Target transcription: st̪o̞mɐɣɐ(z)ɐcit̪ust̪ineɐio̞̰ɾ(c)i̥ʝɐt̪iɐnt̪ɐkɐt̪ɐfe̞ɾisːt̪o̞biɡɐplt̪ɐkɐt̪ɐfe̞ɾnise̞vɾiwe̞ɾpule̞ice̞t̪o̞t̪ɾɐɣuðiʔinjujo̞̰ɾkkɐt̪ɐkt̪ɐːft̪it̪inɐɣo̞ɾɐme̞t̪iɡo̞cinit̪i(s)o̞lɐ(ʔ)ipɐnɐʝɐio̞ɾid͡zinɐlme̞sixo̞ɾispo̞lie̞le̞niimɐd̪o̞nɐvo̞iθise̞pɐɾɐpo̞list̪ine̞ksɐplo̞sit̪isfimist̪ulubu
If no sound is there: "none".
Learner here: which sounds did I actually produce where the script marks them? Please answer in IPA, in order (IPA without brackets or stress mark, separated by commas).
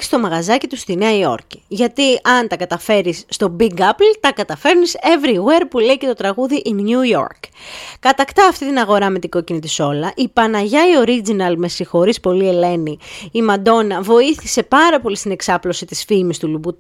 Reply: z, c, s, ʔ